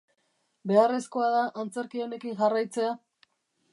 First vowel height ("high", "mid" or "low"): mid